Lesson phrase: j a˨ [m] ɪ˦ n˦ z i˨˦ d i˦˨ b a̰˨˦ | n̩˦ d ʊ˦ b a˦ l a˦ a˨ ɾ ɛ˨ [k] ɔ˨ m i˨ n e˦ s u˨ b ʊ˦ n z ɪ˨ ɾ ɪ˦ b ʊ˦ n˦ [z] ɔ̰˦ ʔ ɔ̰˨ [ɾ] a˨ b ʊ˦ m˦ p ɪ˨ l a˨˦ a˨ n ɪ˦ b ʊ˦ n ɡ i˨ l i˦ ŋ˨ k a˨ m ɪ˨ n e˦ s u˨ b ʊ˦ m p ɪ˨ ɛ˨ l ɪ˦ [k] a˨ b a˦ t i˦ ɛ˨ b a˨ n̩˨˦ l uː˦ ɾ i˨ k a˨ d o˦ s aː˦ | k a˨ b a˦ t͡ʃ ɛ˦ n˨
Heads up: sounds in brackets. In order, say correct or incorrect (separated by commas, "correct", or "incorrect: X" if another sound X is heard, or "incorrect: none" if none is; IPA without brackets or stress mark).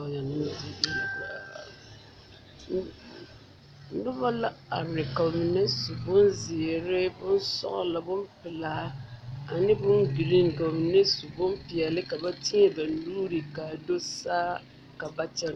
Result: incorrect: n, correct, incorrect: s, incorrect: l, correct